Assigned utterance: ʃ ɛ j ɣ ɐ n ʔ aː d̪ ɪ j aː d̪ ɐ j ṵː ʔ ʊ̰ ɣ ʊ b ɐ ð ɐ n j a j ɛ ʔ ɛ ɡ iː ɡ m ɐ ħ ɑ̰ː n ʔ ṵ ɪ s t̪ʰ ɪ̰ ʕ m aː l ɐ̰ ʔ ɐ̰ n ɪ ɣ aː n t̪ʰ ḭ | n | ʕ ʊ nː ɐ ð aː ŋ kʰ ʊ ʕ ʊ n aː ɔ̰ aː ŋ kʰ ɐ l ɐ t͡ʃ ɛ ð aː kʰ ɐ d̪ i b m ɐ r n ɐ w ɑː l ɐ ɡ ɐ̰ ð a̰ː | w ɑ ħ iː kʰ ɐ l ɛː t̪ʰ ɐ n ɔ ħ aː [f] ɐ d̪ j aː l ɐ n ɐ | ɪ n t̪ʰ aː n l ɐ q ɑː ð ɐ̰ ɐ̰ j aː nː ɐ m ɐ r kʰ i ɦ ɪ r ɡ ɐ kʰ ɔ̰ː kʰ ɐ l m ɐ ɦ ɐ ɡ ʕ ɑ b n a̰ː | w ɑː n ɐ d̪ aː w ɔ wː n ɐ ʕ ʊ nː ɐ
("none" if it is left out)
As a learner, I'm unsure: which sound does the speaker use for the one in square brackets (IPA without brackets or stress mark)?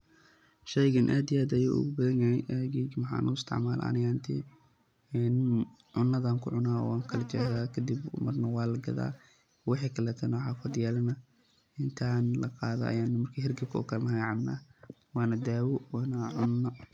f